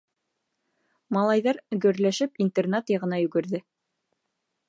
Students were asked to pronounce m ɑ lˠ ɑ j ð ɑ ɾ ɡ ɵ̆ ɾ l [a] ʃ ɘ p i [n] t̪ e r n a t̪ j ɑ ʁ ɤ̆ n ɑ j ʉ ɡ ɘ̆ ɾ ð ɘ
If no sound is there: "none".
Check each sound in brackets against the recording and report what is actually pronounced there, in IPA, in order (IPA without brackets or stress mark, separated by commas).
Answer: æ, n